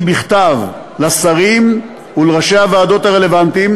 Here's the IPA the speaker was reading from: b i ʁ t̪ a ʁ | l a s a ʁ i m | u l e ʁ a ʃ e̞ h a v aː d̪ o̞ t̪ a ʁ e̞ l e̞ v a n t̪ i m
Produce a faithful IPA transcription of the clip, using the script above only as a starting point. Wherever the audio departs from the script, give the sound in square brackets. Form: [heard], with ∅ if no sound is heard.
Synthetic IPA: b i [χ] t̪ a [v] | l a s a ʁ i m | u l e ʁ a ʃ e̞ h a v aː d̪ o̞ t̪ a ʁ e̞ l e̞ v a n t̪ i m